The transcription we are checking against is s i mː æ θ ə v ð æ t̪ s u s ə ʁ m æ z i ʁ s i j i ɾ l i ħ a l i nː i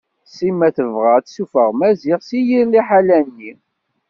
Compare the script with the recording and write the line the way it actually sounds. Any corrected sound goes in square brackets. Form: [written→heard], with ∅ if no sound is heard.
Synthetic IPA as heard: s i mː æ θ ə v [ð→ʁ] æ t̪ s u [s→f] ə ʁ m æ z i ʁ s i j i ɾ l i ħ a l [i→æ] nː i

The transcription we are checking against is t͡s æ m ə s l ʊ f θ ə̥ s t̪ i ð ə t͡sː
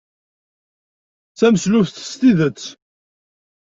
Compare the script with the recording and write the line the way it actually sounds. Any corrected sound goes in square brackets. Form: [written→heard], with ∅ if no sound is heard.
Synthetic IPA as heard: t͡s æ m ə s l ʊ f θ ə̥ s t̪ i ð ə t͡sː

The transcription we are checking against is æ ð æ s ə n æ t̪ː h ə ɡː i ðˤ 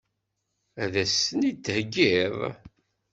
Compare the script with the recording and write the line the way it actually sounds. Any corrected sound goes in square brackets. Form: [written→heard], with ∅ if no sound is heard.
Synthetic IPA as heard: æ ð æ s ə n [æ→i] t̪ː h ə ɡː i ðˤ

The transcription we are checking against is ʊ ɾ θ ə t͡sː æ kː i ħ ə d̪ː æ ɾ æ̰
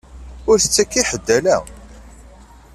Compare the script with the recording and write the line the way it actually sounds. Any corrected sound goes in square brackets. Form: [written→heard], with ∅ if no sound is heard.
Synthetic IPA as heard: ʊ ɾ θ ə t͡sː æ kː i ħ ə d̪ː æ [ɾ→l] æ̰

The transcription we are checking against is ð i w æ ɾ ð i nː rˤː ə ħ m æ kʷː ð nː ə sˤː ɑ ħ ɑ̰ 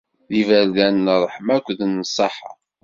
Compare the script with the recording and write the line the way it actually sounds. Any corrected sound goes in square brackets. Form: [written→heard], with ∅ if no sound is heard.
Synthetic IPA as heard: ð i [w→v] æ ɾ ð [i→æ] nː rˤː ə ħ m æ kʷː ð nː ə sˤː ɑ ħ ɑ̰

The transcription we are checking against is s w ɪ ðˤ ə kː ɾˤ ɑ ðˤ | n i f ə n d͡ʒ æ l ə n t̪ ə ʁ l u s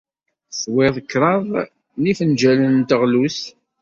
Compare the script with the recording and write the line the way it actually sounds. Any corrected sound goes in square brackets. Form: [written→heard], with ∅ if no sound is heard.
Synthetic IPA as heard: s w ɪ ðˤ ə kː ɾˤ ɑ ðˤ | n i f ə n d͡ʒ æ l ə n t̪ ə ʁ l u s

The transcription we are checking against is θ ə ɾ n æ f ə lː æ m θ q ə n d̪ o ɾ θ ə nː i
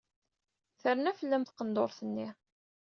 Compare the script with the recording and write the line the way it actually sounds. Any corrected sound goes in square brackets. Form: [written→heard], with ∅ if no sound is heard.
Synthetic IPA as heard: θ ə ɾ n æ f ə lː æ m θ q ə n d̪ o ɾ θ ə nː i

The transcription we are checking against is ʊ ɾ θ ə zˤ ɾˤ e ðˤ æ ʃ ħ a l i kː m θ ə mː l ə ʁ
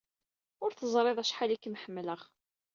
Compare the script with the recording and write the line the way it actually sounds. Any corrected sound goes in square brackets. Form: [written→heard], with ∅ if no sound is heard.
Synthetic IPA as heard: ʊ ɾ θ ə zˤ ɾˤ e ðˤ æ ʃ ħ a l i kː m [θ→ħ] ə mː l ə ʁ

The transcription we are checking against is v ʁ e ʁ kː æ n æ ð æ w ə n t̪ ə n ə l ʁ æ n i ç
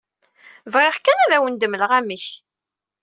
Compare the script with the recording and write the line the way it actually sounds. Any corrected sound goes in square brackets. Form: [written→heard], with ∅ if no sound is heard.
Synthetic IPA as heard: v ʁ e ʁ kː æ n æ ð æ w ə n [t̪→d̪] ə [n→m] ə l ʁ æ [n→m] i ç

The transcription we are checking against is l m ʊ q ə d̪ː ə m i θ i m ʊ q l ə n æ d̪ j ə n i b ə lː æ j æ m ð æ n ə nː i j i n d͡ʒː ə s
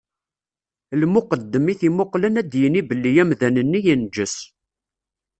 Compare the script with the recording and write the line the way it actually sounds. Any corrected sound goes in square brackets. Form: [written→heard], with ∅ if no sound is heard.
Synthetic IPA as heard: l m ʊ q ə d̪ː ə m i θ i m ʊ q l ə n æ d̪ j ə n i b ə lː [æ→i] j æ m ð æ n ə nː i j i n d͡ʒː ə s

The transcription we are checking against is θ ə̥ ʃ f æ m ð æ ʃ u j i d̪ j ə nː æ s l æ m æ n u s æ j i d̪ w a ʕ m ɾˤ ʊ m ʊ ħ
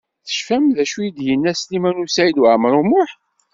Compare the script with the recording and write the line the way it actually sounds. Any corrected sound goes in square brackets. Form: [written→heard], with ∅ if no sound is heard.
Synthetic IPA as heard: θ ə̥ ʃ f æ m ð æ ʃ u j i d̪ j ə nː æ s l [æ→i] m æ n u s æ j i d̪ w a ʕ m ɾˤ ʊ m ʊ ħ

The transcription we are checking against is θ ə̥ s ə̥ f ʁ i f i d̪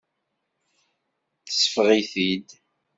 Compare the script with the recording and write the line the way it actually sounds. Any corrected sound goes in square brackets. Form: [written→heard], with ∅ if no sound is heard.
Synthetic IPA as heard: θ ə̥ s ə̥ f ʁ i [f→θ] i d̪

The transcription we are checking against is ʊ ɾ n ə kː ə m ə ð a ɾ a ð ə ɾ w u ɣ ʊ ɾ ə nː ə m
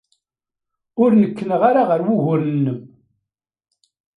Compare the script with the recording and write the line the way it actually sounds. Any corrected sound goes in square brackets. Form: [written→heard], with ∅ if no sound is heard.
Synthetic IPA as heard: ʊ ɾ n ə kː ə [m→n] ə [ð→ʁ] a ɾ a [ð→ʁ] ə ɾ w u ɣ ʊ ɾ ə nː ə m

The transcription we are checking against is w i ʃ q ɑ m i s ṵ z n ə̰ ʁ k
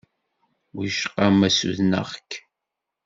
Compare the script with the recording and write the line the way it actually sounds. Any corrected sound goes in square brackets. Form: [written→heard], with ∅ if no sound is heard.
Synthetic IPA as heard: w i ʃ q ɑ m [i→æ] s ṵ [z→ð] n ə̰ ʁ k

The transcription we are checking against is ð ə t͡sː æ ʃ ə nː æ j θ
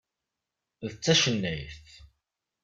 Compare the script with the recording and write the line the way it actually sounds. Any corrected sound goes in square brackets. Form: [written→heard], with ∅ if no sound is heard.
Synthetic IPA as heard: ð ə t͡sː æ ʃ ə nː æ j θ

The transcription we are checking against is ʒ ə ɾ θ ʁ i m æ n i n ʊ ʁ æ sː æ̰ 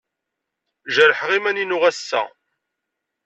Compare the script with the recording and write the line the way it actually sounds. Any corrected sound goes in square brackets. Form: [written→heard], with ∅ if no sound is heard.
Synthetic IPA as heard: ʒ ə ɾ [θ→ħ] ʁ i m æ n i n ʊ ʁ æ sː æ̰

